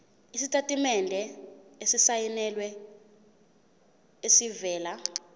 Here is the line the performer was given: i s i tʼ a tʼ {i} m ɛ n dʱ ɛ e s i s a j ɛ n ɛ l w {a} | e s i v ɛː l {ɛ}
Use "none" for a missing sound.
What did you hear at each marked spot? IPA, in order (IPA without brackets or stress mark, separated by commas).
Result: i, ɛ, a